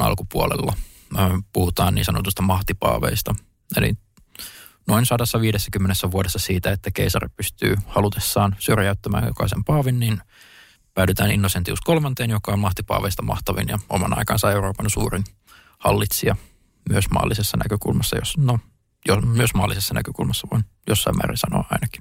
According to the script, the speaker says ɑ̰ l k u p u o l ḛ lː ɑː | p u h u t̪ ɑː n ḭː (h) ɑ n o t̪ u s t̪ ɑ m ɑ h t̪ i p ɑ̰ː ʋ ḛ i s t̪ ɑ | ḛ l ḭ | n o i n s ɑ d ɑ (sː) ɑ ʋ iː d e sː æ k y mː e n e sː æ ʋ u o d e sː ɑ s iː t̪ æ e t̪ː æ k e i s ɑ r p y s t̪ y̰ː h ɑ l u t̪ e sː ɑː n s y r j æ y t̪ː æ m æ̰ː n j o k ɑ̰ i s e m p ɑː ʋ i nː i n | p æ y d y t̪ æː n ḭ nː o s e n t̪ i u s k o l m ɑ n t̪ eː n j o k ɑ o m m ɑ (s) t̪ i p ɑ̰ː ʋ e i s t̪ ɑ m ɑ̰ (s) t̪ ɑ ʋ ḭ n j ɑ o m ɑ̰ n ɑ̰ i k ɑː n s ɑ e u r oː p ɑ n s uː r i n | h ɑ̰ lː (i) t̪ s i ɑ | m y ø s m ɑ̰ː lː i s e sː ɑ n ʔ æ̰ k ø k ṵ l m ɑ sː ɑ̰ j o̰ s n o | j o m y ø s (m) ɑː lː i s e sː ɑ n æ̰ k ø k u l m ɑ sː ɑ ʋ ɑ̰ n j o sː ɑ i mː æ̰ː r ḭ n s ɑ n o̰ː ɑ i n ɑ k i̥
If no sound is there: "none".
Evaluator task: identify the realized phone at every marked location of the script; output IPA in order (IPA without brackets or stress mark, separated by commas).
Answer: s, sː, h, h, i, m